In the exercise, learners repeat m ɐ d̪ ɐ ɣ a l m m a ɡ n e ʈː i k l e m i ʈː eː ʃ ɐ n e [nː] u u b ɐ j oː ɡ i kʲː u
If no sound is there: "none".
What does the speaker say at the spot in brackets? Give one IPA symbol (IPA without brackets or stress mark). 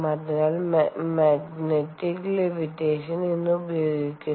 nː